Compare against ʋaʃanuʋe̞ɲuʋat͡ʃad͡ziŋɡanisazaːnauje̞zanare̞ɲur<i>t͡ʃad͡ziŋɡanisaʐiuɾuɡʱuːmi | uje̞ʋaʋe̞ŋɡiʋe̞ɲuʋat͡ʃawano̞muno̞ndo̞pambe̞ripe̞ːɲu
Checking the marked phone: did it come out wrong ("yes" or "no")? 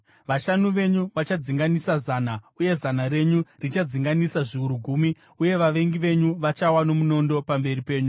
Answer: no